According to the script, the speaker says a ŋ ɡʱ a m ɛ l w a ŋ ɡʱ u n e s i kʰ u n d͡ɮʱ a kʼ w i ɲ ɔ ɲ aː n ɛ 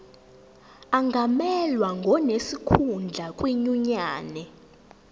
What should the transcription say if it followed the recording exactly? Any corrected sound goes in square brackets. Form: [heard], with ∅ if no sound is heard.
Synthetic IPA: a ŋ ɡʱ a m ɛ l w a ŋ ɡʱ [ɔ] n e s i kʰ u n d͡ɮʱ a kʼ w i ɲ [u] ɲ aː n ɛ

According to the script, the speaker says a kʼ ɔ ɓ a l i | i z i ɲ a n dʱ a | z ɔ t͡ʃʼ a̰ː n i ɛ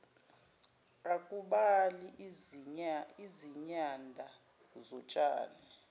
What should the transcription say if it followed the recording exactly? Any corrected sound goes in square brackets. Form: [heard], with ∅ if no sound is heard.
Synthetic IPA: a kʼ [u] ɓ a l i | i z i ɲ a n dʱ a | z ɔ t͡ʃʼ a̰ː n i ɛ

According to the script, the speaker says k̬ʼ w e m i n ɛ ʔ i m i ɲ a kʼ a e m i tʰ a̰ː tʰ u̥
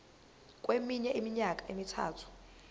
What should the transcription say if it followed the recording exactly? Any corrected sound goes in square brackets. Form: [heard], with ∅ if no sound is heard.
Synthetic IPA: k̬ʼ w e m i [ɲ] ɛ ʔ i m i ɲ a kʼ a e m i tʰ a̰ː tʰ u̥

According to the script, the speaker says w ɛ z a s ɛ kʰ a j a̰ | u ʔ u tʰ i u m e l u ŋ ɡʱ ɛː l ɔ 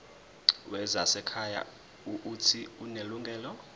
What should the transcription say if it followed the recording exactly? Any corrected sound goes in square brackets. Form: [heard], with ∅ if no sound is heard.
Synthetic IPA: w ɛ z a s ɛ kʰ a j a̰ | u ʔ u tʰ i u [n] e l u ŋ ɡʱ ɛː l ɔ

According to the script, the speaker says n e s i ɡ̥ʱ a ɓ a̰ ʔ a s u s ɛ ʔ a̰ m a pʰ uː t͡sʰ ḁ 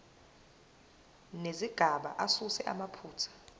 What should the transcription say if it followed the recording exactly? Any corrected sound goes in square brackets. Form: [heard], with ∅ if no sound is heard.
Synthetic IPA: n e [z] i ɡ̥ʱ a ɓ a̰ ʔ a s u s ɛ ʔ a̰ m a pʰ uː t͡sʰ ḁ

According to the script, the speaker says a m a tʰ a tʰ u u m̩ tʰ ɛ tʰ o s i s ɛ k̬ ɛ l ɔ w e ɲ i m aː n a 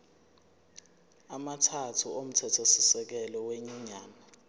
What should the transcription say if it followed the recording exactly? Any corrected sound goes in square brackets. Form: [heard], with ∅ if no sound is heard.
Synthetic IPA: a m a tʰ a tʰ u [o] m̩ tʰ ɛ tʰ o s i s ɛ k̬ ɛ l ɔ w e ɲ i [ɲ] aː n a

